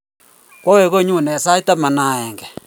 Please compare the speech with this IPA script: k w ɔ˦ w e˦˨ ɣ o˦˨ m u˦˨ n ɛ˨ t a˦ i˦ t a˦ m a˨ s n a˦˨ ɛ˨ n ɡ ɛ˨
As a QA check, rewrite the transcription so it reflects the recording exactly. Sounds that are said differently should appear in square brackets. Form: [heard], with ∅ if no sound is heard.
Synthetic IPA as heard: k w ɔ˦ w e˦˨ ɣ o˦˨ [ɲ] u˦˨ n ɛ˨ [s] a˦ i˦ t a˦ m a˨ [∅] n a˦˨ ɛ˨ [ŋ] ɡ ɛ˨